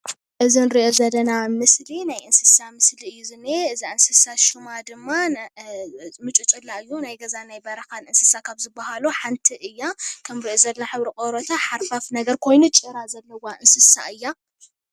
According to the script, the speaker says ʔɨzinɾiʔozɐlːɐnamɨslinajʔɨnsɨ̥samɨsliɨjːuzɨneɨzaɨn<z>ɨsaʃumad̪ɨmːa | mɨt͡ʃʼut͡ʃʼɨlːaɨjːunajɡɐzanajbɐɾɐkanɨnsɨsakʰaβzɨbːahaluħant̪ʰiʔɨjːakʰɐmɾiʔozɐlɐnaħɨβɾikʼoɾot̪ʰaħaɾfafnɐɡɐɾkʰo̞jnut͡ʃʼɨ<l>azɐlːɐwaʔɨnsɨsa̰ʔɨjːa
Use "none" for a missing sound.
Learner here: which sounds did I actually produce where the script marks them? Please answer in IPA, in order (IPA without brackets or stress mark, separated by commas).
s, ɾ